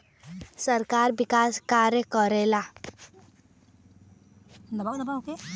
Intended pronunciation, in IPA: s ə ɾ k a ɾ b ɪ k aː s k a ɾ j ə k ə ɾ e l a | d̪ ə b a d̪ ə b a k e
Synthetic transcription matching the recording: s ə ɾ k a ɾ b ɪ k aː s k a ɾ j ə k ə ɾ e l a | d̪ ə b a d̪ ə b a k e

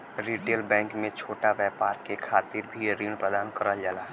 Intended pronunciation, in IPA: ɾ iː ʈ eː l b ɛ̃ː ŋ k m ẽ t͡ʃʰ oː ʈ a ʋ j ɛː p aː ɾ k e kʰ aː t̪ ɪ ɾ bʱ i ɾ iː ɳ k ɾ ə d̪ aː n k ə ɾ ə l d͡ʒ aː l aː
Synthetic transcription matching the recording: ɾ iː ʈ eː l b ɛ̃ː ŋ k m ẽ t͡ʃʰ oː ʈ a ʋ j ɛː p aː ɾ k e kʰ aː t̪ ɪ ɾ bʱ i ɾ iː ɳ p ɾ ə d̪ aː n k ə ɾ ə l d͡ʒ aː l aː

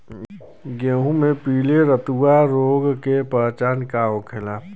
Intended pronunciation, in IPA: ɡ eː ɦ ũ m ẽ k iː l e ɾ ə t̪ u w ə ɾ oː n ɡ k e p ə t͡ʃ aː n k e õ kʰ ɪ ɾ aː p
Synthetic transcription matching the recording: ɡ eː ɦ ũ m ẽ p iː l e ɾ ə t̪ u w a ɾ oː ɡ k e p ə t͡ʃ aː n k a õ kʰ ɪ l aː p

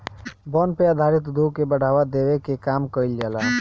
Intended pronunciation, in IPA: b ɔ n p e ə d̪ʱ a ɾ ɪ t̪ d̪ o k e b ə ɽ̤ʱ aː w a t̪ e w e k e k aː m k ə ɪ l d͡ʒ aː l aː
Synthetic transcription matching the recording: b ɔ n p e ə d̪ʱ a ɾ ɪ t̪ d̪ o k e b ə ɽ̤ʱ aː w a d̪ e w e k e k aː m k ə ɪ l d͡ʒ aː l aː

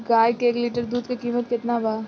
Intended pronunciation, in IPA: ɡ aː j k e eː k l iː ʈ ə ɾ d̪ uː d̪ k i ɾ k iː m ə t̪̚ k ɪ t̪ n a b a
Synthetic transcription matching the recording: ɡ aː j k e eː k l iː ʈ ə ɾ d̪ uː d̪ k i k iː m ə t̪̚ k ɪ t̪ n a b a

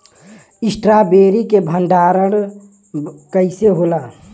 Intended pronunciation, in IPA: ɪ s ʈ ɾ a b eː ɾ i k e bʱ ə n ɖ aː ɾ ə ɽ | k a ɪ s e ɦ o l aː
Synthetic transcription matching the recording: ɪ s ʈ ɾ a b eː ɾ i k e bʱ ə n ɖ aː ɾ ə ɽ | k ə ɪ s e ɦ o l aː

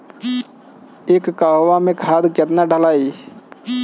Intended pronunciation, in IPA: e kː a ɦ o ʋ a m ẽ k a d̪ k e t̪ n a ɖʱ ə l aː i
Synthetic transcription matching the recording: e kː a ɦ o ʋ a m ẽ kʰ a d̪ k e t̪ n a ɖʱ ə l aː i

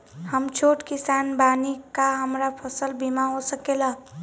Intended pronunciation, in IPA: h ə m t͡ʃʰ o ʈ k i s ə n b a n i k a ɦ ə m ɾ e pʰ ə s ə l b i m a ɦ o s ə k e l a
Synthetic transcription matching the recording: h ə m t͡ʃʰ o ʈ k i s a n b a n i k a ɦ ə m ɾ a pʰ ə s ə l b i m a ɦ o s ə k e l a

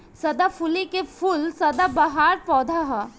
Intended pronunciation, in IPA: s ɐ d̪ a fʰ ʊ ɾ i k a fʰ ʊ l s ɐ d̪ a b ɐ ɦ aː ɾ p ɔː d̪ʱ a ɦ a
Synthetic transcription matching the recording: s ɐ d̪ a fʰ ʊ l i k e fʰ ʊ l s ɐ d̪ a b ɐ ɦ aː ɾ p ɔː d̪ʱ a ɦ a

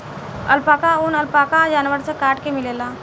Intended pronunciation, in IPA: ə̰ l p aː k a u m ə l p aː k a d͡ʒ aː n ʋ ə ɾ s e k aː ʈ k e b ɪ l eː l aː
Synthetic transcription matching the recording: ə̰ l p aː k a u n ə l p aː k a d͡ʒ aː n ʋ ə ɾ s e k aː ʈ k e m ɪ l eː l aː

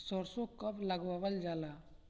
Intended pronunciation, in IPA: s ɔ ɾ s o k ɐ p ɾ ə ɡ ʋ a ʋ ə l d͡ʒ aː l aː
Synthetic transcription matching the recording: s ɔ ɾ s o k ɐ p l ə ɡ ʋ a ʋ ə l d͡ʒ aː l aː

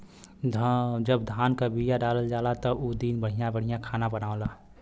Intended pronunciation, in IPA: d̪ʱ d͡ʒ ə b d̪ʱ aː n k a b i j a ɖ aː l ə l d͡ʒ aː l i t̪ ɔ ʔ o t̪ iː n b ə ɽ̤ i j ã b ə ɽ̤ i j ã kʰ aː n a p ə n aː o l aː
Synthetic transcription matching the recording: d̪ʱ d͡ʒ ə b d̪ʱ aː n k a b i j a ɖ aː l ə l d͡ʒ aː l a t̪ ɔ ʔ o d̪ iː n b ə ɽ̤ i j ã b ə ɽ̤ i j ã kʰ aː n a b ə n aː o l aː

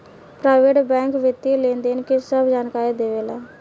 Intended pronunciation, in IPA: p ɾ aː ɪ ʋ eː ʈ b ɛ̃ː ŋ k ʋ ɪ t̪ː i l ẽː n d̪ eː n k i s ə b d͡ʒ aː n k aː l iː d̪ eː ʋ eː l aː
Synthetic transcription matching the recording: p ɾ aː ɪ ʋ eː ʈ b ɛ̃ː ŋ k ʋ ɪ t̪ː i l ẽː n d̪ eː n k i s ə b d͡ʒ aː n k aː ɾ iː d̪ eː ʋ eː l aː

